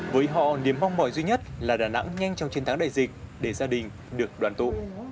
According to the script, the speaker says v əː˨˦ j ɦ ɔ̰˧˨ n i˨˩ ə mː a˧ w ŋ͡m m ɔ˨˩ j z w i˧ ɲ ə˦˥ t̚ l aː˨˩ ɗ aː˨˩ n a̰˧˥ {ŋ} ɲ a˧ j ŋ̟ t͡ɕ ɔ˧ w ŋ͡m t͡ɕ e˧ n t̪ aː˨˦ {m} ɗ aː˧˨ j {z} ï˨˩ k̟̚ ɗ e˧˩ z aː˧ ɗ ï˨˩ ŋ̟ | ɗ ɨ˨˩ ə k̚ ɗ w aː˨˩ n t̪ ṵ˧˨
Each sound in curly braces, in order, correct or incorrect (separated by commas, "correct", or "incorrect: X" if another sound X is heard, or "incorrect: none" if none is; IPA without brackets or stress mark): correct, incorrect: ŋ, correct